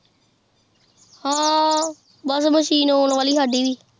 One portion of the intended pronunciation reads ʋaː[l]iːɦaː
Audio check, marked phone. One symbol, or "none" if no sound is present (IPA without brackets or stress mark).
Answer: l